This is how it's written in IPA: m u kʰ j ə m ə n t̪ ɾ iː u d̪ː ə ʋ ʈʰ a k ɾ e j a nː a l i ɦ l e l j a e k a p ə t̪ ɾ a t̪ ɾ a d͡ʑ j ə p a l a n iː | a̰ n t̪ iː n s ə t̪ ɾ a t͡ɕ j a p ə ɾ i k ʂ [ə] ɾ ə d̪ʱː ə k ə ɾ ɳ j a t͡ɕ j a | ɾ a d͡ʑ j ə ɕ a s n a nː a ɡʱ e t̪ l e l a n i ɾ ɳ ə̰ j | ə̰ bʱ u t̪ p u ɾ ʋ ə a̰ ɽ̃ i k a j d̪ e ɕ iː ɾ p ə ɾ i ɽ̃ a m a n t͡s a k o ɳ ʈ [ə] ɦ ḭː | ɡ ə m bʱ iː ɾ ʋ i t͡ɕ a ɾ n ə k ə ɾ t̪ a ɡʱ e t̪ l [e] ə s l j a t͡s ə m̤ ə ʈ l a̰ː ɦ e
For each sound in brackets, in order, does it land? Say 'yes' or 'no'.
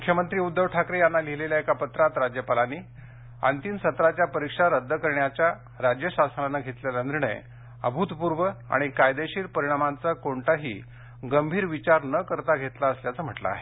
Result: no, no, no

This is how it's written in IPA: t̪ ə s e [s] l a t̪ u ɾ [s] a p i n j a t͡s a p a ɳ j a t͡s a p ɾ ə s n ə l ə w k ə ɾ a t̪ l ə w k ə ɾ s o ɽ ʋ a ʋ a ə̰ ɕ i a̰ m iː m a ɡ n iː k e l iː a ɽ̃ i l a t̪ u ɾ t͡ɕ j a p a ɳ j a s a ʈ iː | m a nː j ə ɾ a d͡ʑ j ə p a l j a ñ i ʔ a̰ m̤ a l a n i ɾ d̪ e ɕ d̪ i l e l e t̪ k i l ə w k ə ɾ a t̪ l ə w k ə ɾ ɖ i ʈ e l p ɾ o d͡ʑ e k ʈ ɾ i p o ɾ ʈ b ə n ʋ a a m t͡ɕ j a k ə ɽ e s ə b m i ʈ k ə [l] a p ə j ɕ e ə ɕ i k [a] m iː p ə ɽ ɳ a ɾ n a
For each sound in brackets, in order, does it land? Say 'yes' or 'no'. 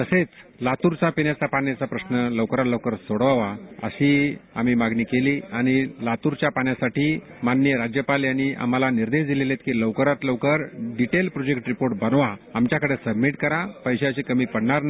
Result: no, no, no, no

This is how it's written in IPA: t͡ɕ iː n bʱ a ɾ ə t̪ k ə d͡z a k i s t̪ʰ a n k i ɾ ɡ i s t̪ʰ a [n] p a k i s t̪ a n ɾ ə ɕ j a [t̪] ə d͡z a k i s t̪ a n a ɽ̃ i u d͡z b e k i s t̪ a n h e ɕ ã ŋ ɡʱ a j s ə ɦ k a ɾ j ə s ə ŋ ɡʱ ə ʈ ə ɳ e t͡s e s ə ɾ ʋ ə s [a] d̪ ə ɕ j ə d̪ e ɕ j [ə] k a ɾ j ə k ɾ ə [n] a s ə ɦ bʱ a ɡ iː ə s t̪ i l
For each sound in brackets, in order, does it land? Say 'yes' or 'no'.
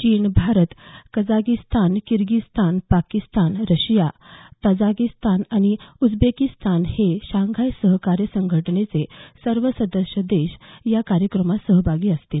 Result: yes, yes, no, no, no

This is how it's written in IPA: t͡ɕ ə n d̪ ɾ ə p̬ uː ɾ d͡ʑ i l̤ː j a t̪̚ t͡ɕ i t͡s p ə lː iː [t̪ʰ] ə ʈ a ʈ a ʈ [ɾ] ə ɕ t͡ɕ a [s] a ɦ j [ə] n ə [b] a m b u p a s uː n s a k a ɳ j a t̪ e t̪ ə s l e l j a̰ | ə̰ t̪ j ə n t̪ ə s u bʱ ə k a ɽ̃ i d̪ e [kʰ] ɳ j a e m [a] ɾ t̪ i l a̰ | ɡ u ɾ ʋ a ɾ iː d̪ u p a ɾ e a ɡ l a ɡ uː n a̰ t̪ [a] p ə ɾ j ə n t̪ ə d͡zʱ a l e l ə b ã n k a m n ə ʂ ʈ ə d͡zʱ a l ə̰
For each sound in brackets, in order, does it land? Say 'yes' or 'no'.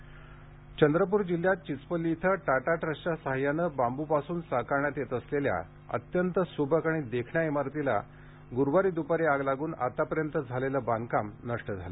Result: yes, yes, yes, no, yes, yes, yes, yes

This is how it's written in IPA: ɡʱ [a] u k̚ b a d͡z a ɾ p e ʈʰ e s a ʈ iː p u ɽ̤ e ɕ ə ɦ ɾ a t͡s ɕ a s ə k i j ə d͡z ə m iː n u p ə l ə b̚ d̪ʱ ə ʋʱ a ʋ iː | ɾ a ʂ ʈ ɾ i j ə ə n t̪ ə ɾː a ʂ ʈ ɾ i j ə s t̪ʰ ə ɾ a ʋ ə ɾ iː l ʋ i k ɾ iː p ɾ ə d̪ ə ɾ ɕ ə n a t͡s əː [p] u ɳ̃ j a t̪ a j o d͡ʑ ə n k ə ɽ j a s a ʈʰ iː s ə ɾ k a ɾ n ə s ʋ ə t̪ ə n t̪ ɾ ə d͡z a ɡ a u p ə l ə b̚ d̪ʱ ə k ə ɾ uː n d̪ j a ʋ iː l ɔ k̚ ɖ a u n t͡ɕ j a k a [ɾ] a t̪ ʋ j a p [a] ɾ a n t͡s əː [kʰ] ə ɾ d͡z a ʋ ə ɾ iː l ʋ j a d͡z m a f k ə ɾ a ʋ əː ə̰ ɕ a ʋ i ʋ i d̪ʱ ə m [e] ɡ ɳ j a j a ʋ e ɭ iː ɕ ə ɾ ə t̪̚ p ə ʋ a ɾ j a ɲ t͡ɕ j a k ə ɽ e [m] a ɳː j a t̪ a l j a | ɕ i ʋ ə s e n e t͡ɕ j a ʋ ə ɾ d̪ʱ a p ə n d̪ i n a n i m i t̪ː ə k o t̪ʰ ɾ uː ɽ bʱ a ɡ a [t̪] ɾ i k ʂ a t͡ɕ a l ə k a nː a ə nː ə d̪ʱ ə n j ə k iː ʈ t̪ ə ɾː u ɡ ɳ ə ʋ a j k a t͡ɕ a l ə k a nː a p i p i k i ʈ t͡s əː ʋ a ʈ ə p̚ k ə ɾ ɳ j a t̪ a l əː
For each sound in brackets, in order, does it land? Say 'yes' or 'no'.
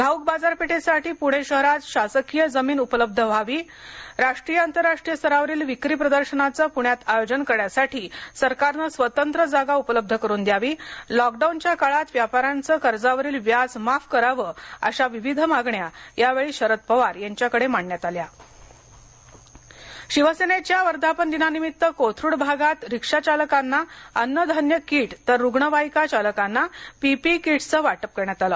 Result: yes, yes, no, yes, no, no, yes, yes

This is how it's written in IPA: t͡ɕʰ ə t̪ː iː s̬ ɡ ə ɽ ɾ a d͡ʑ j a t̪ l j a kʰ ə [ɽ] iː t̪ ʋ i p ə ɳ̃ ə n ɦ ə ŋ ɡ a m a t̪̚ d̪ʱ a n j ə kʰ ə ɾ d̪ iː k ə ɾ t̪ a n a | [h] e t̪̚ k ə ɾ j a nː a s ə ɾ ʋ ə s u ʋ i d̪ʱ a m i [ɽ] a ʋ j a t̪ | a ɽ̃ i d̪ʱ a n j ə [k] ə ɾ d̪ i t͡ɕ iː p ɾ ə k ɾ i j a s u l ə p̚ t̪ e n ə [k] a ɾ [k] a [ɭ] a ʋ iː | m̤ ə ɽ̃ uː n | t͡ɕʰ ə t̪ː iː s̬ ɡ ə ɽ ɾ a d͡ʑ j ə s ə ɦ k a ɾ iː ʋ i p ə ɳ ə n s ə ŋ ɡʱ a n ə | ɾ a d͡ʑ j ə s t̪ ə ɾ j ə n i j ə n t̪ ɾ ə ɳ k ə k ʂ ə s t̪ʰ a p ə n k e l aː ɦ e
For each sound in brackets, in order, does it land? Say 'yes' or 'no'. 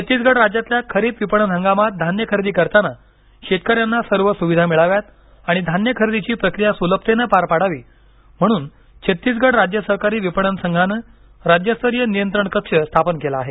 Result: no, no, no, no, no, no, no

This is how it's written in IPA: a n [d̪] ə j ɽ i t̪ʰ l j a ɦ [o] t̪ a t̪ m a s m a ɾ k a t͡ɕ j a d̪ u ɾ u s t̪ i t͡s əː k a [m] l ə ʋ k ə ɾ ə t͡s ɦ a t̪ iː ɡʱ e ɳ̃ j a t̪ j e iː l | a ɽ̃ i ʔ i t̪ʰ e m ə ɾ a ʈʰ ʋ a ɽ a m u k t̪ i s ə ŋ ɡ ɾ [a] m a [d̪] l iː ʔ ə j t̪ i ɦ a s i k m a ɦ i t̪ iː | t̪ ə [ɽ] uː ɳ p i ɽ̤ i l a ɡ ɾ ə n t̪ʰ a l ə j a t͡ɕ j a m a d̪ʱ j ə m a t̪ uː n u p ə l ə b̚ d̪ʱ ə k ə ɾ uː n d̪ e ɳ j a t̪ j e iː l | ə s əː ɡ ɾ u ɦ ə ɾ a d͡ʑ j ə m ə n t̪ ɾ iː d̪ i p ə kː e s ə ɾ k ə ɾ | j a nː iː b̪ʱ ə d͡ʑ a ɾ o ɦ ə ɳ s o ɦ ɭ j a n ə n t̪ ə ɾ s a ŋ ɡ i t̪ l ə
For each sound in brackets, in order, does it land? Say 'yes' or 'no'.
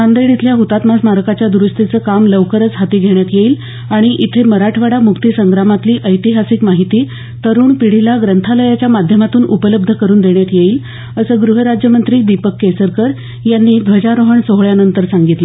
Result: yes, no, yes, yes, no, no

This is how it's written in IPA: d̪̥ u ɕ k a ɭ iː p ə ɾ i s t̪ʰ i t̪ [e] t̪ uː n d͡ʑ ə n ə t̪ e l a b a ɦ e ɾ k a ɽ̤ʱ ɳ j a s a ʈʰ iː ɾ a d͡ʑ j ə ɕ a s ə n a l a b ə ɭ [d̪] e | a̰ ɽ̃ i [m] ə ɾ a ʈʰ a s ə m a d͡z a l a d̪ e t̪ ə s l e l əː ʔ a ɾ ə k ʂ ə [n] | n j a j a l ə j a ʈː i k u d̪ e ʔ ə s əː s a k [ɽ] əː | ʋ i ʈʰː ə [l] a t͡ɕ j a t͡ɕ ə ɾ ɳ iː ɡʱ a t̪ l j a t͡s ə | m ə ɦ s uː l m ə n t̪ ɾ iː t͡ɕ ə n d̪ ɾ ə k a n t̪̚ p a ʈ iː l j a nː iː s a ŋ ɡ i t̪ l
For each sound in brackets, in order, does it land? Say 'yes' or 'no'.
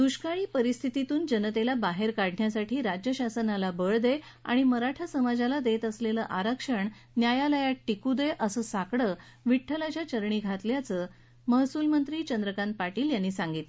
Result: no, yes, yes, no, yes, yes

